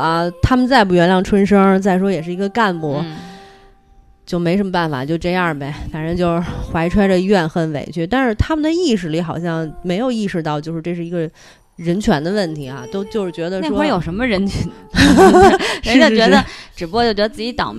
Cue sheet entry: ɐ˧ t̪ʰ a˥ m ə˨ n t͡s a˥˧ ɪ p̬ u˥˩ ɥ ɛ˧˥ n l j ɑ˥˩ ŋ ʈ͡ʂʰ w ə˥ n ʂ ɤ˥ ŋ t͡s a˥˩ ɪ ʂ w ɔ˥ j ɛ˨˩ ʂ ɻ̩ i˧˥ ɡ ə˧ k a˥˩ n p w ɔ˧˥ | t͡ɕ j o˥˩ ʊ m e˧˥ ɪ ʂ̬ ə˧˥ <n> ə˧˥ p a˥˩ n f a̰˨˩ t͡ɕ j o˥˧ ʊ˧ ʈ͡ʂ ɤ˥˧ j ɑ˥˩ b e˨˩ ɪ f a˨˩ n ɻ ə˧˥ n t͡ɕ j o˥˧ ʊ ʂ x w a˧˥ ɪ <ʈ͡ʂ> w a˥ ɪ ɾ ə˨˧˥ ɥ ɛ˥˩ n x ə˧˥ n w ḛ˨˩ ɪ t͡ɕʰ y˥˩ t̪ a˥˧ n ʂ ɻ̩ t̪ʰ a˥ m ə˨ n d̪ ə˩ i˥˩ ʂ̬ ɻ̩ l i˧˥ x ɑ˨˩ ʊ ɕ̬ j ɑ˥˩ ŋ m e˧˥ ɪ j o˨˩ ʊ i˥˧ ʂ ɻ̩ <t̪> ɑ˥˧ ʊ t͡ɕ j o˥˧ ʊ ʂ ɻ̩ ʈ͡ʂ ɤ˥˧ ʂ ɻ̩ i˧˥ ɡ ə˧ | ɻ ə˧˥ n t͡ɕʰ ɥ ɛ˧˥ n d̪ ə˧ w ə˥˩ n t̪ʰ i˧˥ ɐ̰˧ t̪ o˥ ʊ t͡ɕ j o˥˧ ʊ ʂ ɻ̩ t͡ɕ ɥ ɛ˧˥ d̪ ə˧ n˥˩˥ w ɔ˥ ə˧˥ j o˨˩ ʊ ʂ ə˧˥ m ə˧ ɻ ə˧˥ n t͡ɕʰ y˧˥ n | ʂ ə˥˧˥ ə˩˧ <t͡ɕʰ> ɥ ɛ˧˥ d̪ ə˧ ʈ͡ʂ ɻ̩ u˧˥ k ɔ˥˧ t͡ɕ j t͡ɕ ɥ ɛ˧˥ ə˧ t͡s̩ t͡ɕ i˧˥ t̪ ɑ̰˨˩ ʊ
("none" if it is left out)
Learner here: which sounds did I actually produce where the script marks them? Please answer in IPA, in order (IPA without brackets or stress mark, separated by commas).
m, ʈ͡ʂʰ, t̪, t͡ɕ